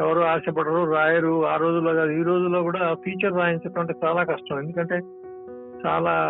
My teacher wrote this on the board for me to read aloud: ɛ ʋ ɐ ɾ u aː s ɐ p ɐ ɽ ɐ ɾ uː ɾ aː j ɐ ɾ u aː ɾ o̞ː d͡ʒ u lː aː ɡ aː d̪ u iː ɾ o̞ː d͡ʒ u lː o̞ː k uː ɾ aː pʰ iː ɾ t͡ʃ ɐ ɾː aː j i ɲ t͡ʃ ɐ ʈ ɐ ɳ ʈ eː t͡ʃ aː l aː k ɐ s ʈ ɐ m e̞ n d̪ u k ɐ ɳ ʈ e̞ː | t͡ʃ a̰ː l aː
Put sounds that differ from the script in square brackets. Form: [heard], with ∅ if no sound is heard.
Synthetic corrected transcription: ɛ ʋ ɐ ɾ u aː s ɐ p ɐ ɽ ɐ ɾ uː ɾ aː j ɐ ɾ u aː ɾ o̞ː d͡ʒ u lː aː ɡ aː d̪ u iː ɾ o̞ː d͡ʒ u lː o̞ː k uː [ɽ] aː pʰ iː [∅] t͡ʃ ɐ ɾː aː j i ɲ t͡ʃ ɐ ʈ ɐ ɳ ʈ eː t͡ʃ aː l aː k ɐ [ʂ] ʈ ɐ m e̞ n d̪ u k ɐ ɳ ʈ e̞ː | t͡ʃ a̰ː l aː